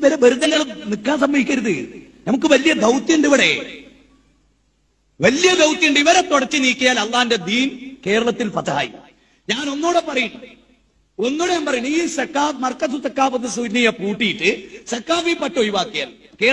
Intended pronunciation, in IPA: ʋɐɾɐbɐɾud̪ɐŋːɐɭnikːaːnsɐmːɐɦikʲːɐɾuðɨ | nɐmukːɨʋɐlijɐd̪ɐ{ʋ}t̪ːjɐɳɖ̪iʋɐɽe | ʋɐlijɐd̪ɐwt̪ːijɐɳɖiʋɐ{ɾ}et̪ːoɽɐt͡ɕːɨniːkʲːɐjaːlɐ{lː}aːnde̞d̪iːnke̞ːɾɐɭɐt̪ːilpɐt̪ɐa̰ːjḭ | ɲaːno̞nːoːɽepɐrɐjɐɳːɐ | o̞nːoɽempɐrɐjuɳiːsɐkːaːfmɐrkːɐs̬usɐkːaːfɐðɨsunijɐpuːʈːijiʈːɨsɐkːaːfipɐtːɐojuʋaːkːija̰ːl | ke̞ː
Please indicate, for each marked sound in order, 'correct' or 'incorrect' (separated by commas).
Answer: incorrect, correct, correct